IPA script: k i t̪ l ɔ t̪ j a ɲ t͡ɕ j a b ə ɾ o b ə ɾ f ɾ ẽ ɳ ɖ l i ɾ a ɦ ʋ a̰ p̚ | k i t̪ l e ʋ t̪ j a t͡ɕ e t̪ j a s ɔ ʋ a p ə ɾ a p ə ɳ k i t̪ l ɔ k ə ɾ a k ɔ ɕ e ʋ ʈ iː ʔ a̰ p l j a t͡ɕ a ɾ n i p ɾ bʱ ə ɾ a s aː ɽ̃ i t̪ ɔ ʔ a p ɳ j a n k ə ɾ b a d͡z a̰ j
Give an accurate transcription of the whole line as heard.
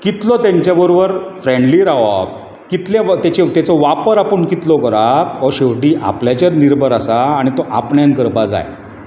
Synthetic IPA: k i t̪ l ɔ t̪ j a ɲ t͡ɕ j a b ə ɾ o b ə ɾ f ɾ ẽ ɳ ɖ l i ɾ a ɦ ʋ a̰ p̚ | k i t̪ l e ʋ t̪ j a t͡ɕ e t̪ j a t͡s ɔ ʋ a p ə ɾ a p ə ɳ k i t̪ l ɔ k ə ɾ a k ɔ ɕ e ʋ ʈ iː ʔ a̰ p l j a t͡ɕ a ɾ n i ɾ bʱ ə ɾ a s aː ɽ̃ i t̪ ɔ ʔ a p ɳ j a n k ə ɾ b a d͡z a̰ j